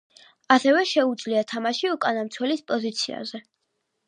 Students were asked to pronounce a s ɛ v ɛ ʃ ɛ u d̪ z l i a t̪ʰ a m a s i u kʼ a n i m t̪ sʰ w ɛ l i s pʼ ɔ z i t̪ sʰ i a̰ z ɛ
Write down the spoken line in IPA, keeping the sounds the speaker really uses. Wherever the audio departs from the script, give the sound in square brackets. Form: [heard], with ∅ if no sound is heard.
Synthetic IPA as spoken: a s ɛ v ɛ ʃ ɛ u d̪ z l i a t̪ʰ a m a [ʃ] i u kʼ a n [a] m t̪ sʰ w ɛ l i s pʼ ɔ z i t̪ sʰ i a̰ z ɛ